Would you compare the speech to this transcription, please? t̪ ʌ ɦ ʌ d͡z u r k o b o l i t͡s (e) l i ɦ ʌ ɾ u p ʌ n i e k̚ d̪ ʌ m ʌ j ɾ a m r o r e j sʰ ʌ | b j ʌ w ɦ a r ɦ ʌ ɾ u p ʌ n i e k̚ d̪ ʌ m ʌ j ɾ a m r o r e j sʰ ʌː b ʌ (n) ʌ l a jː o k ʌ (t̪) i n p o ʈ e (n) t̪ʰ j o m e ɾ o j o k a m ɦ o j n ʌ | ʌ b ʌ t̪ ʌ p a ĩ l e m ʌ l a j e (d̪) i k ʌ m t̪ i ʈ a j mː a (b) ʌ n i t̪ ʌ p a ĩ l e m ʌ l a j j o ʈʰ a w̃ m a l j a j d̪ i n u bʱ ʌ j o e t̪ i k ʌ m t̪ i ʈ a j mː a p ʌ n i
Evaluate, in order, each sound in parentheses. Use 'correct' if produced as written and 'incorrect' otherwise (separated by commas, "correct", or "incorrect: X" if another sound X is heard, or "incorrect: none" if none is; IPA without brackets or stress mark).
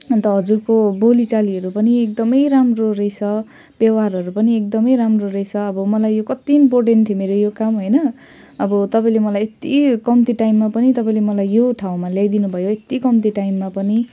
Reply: incorrect: a, incorrect: m, correct, correct, incorrect: t̪, incorrect: p